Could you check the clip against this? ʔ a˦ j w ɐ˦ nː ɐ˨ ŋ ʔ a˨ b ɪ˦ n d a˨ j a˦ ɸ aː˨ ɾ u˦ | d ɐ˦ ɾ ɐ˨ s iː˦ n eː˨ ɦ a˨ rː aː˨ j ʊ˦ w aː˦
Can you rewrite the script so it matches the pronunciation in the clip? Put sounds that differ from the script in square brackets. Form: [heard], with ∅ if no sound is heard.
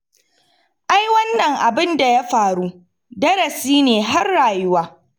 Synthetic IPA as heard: ʔ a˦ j w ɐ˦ nː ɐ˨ ŋ ʔ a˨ b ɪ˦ n d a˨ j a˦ ɸ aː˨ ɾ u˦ | d ɐ˦ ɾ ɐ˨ s iː˦ n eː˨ ɦ [a˦] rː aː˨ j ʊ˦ w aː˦